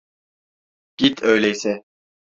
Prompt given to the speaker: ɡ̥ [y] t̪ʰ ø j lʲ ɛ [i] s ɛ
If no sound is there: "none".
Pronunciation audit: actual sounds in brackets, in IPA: i, j

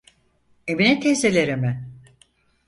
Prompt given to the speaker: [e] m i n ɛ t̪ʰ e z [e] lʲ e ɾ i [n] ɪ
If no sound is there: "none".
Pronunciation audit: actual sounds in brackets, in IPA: e, e, m

